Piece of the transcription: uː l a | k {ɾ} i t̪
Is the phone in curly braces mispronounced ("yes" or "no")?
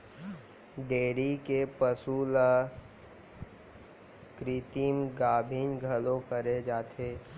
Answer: no